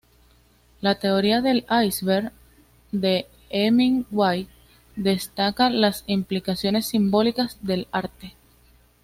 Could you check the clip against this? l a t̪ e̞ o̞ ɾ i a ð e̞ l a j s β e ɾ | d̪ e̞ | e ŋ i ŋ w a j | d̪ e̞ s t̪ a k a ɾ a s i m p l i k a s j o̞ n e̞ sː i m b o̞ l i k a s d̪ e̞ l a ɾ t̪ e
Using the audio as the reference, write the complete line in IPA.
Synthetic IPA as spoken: l a t̪ e̞ o̞ ɾ i a ð e̞ l a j s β e ɾ | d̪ e̞ | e m i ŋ w a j | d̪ e̞ s t̪ a k a l a s i m p l i k a s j o̞ n e̞ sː i m b o̞ l i k a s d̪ e̞ l a ɾ t̪ e